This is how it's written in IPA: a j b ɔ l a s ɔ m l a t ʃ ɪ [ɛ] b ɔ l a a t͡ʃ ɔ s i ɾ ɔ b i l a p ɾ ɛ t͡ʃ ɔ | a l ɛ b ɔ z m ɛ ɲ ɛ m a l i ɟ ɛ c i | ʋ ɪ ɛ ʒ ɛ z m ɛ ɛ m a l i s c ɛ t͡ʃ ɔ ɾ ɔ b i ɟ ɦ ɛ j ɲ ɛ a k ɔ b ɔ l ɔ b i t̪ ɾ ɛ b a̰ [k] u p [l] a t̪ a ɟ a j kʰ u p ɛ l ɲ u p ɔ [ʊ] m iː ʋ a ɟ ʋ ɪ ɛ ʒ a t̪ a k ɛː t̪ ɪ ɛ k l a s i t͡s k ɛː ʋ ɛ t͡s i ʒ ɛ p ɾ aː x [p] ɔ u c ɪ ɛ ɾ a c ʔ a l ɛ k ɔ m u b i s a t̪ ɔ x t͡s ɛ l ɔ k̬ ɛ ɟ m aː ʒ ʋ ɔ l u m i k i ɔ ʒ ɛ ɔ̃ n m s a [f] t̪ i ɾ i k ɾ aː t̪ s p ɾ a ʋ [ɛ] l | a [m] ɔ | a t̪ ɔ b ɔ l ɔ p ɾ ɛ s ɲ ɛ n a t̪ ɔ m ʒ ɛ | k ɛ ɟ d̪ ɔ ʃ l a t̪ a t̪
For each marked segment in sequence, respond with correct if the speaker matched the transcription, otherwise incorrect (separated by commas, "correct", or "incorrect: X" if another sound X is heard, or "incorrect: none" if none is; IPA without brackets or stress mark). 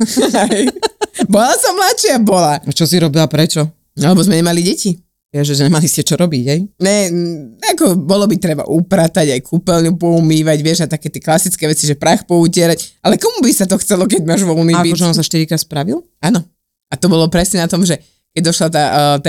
incorrect: a, incorrect: ʔ, incorrect: ɾ, incorrect: u, correct, incorrect: ʃ, incorrect: i, incorrect: n